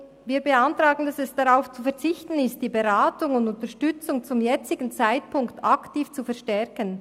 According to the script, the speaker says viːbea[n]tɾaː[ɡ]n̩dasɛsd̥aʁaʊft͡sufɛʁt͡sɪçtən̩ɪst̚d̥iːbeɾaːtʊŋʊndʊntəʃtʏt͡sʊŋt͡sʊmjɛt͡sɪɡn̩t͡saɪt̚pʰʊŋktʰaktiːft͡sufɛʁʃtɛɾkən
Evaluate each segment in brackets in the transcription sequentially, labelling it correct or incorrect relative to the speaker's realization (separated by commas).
correct, correct